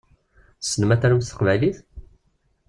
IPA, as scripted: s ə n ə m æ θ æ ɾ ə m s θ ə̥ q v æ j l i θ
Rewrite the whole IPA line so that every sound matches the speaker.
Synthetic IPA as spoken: s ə n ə m æ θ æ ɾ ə m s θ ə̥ q v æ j l i θ